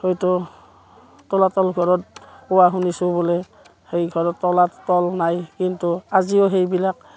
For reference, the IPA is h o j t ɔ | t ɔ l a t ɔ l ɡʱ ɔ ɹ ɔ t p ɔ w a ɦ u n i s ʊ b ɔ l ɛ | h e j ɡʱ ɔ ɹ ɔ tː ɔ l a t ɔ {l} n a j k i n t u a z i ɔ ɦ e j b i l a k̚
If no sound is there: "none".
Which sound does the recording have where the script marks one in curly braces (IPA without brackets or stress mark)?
l